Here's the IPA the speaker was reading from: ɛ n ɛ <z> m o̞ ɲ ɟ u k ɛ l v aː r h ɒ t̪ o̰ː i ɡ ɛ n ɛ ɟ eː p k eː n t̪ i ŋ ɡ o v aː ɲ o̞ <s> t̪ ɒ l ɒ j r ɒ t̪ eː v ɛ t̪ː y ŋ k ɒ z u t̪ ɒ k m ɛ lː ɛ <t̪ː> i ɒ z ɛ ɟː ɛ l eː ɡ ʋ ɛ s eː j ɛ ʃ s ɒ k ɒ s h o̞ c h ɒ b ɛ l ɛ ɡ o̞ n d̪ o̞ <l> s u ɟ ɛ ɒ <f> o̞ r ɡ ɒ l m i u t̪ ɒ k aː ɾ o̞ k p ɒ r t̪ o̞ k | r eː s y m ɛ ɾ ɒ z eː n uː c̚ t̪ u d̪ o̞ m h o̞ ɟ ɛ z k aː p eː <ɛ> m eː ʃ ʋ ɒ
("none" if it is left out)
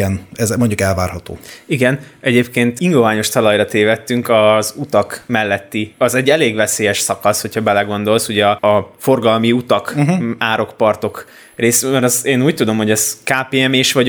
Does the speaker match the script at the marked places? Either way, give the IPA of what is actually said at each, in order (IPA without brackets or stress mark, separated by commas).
z, ʃ, t̪ː, l, f, ɛ